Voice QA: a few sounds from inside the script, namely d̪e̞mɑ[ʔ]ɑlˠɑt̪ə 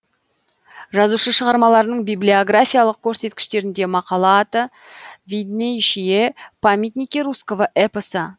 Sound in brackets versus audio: incorrect: q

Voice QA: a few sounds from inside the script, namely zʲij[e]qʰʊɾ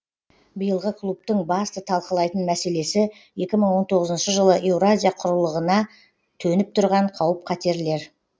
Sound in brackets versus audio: incorrect: a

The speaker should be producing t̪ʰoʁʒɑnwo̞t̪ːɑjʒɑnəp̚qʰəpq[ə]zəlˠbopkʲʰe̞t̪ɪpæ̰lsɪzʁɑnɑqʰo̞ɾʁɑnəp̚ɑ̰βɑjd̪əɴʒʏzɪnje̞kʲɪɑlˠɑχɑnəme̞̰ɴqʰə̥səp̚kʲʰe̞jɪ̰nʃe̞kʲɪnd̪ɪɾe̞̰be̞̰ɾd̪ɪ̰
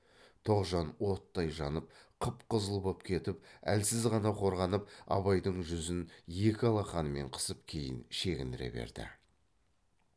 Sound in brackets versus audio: correct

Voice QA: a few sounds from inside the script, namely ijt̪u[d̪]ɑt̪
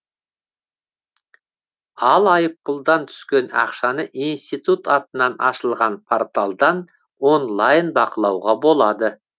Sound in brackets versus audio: incorrect: t̪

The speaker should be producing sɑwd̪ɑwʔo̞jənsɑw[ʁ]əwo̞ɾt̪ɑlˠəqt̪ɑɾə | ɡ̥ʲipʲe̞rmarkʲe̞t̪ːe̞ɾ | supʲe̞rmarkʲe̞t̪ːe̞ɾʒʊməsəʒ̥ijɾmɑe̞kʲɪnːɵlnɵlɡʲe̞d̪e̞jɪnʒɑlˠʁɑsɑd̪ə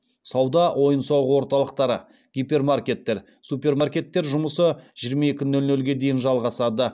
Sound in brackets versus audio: correct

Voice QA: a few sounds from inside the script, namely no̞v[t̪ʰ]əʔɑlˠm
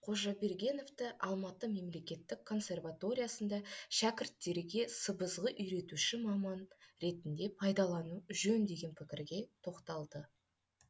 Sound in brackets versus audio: incorrect: t̪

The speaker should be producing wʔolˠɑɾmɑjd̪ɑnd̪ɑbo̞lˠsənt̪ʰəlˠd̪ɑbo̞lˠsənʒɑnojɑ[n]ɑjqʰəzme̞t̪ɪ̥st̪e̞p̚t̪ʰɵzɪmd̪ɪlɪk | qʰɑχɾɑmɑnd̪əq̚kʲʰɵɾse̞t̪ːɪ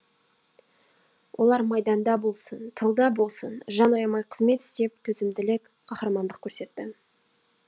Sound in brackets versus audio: incorrect: m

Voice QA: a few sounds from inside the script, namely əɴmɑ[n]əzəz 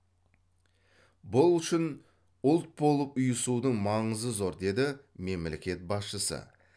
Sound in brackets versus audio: incorrect: ɴ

